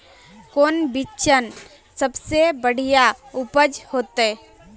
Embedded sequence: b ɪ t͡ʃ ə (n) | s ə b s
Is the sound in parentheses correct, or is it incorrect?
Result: correct